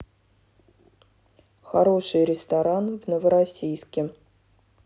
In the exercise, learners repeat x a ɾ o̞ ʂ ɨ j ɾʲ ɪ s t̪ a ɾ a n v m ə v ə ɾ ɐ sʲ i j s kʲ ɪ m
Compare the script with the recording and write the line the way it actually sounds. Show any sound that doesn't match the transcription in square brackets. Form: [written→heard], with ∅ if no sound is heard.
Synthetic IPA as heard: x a ɾ o̞ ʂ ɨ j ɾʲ ɪ s t̪ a ɾ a n v [m→n] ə v ə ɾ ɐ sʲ i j s kʲ ɪ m